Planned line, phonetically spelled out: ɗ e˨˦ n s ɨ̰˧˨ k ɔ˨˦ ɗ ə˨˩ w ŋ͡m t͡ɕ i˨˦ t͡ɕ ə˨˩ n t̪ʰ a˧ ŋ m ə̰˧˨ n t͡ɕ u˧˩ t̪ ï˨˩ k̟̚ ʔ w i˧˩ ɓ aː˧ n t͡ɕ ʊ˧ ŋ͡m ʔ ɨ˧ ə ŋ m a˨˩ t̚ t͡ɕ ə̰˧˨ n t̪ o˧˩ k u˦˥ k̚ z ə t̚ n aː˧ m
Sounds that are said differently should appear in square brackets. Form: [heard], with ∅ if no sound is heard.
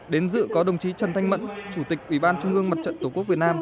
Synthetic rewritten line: ɗ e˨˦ n [z] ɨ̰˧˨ k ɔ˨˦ ɗ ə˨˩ w ŋ͡m t͡ɕ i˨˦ t͡ɕ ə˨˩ n t̪ʰ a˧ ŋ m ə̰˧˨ n t͡ɕ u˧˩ t̪ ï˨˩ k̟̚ ʔ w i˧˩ ɓ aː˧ n t͡ɕ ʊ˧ ŋ͡m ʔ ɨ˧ ə ŋ m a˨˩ t̚ t͡ɕ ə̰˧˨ n t̪ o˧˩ k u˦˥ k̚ [v] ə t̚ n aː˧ m